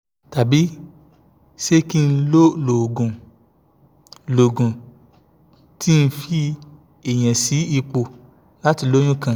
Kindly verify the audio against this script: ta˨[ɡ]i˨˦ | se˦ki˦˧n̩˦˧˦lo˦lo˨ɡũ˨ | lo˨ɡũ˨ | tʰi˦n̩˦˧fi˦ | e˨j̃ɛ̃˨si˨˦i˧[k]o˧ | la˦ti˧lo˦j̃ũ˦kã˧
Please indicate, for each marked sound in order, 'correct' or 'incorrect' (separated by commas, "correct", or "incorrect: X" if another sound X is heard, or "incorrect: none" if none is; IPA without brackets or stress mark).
incorrect: b, incorrect: k͡p